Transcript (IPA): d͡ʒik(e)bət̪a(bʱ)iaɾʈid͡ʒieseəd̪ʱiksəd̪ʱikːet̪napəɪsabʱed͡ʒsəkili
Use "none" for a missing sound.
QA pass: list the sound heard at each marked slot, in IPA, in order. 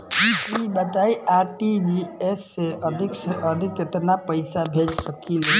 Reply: i, none

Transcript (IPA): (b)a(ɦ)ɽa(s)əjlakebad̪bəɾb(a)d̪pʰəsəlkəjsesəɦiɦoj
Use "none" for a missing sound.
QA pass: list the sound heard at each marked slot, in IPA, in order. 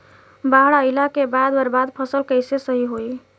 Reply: b, ɦ, none, a

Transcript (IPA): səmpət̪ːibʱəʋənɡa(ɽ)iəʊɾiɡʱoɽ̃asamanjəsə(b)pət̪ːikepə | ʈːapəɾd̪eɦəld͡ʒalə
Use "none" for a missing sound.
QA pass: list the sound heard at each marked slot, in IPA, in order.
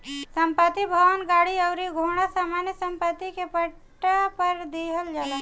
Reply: ɽ, m

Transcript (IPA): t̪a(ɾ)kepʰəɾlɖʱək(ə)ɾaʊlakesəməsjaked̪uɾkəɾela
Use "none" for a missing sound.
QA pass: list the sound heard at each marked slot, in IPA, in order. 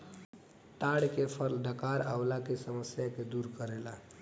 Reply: ɽ, a

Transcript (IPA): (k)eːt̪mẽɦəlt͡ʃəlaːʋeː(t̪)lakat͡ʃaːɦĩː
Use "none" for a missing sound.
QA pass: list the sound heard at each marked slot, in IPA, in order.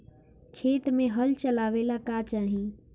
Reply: kʰ, none

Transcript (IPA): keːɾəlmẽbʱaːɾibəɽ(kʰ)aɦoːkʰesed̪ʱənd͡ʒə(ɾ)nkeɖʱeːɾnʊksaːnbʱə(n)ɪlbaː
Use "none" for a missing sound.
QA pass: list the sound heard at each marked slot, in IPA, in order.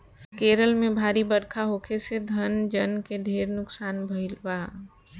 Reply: kʰ, none, none

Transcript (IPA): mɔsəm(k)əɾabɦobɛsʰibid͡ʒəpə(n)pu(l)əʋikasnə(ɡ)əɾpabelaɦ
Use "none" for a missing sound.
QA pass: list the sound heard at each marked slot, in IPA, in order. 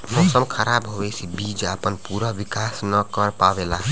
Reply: kʰ, n, ɾ, k

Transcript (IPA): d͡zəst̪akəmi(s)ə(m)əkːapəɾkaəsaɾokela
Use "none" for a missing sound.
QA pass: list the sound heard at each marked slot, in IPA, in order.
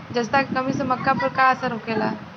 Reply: s, m

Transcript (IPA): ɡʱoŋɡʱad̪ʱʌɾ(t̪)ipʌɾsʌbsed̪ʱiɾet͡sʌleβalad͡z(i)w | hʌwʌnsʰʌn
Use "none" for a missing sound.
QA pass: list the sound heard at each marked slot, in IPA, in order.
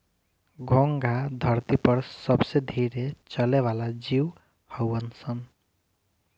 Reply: t̪, i

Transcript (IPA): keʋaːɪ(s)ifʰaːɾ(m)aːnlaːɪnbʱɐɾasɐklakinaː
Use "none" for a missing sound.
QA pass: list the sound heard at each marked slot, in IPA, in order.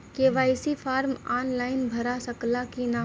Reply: s, m

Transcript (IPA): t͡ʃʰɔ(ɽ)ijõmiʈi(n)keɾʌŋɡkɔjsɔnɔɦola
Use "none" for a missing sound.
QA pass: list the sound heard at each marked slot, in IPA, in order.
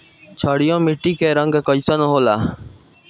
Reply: ɽ, none

